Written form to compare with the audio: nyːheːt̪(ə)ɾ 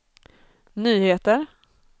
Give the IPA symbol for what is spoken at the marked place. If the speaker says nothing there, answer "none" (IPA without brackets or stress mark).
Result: ə